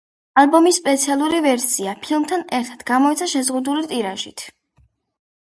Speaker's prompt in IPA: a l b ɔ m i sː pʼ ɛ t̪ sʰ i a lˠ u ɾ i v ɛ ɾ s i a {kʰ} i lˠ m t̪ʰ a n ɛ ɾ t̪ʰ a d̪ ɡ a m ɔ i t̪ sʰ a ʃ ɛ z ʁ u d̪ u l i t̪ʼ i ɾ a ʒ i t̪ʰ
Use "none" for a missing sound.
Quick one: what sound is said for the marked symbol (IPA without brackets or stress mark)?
pʰ